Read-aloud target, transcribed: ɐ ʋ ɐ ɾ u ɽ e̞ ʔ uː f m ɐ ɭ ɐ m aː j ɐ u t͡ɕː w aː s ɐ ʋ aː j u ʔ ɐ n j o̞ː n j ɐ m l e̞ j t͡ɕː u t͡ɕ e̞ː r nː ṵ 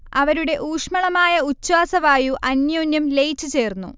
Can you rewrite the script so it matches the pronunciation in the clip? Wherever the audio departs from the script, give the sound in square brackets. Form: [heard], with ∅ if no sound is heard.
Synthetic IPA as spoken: ɐ ʋ ɐ ɾ u ɽ e̞ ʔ uː [ʂ] m ɐ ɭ ɐ m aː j ɐ u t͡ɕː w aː s ɐ ʋ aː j u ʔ ɐ n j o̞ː n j ɐ m l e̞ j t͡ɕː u t͡ɕ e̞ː r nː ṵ